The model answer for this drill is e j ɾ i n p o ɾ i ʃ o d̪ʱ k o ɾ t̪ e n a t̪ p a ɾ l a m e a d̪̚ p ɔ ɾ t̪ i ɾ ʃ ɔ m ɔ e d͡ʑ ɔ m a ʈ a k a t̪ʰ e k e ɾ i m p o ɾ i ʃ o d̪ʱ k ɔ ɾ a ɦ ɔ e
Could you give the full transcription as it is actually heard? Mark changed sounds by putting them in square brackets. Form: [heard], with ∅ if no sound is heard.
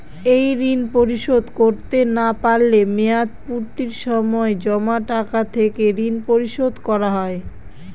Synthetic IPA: e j ɾ i n p o ɾ i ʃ o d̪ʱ k o ɾ t̪ e n a [∅] p a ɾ l [e] m e a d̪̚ p [u] ɾ t̪ i ɾ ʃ ɔ m ɔ e d͡ʑ ɔ m a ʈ a k a t̪ʰ e k e ɾ i [n] p o ɾ i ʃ o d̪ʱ k ɔ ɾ a ɦ ɔ e